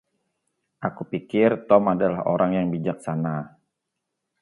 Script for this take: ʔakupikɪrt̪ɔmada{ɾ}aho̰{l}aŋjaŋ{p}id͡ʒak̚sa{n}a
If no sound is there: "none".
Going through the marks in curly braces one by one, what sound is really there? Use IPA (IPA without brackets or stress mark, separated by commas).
l, ɾ, b, n